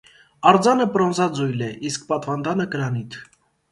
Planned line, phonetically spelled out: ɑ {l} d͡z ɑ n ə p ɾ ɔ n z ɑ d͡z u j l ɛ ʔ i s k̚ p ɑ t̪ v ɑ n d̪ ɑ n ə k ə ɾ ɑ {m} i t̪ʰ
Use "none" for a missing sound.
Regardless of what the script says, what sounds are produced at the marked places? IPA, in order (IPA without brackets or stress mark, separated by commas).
ɾ, n